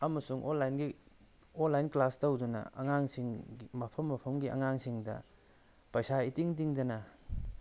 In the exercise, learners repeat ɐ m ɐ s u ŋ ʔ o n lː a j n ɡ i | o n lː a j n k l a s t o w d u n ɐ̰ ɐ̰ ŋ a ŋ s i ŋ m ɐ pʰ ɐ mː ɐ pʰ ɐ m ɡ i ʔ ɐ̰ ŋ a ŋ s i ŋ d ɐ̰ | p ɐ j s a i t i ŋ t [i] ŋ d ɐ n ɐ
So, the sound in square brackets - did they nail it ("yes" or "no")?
yes